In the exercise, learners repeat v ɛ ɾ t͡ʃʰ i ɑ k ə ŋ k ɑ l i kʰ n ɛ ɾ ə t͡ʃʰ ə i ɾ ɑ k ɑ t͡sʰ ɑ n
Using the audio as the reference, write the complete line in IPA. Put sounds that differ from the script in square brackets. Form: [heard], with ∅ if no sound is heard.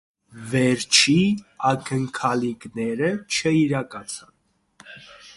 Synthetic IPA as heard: v ɛ ɾ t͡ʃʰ i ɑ k ə ŋ [kʰ] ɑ l i [k] n ɛ ɾ ə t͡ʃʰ ə i ɾ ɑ k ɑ t͡sʰ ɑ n